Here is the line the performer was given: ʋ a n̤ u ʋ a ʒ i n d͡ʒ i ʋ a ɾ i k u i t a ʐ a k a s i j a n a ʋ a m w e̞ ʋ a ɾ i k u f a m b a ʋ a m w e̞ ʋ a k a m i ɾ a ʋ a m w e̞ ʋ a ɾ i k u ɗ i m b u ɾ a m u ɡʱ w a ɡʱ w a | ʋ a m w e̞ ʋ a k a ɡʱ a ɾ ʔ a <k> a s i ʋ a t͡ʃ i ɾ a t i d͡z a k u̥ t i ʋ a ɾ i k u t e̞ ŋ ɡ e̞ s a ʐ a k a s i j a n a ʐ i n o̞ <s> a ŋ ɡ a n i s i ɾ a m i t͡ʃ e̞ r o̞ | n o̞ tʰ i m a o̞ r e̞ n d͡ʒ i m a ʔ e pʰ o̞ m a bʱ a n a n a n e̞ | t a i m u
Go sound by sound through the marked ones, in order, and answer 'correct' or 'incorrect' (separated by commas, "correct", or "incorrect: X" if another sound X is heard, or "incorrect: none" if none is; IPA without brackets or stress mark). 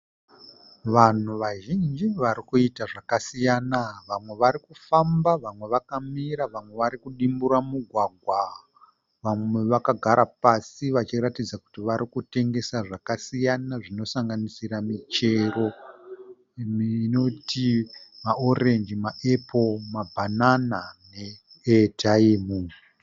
incorrect: p, correct